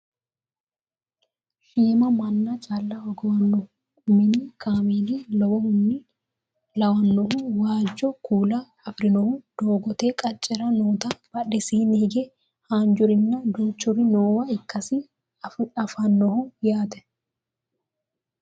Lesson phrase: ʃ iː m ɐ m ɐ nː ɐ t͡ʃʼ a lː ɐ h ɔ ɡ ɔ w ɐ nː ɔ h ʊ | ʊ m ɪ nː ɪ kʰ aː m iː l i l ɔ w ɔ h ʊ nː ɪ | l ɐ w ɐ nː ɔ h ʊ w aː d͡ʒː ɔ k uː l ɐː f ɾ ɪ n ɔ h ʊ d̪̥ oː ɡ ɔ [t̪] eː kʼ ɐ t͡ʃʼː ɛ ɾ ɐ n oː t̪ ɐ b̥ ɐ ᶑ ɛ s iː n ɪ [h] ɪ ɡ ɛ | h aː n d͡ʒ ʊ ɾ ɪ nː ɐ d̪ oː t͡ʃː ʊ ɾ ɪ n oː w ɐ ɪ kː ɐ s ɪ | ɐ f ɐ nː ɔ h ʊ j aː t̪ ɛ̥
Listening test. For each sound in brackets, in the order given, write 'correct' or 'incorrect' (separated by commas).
correct, correct